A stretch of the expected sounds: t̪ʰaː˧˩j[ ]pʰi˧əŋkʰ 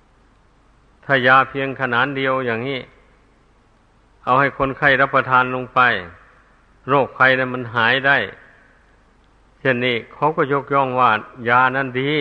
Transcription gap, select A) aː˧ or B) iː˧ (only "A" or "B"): A